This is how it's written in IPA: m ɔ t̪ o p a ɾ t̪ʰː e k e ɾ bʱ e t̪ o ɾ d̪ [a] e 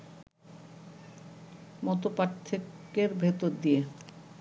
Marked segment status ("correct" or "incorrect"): incorrect